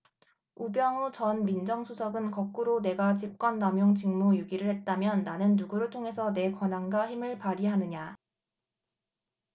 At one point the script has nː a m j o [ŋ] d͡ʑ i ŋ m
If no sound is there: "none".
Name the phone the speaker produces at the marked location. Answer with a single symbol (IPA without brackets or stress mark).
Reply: ŋ